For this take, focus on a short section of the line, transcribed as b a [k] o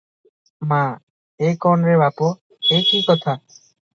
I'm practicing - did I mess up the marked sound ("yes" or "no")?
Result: yes